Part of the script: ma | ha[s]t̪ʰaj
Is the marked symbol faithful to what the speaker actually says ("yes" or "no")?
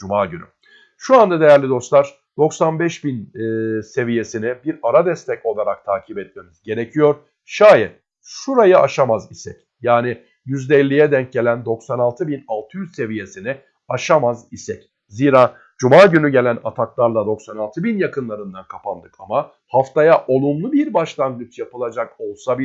no